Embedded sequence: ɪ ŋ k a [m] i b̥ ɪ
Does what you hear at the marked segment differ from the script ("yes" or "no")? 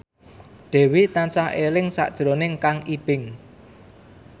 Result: yes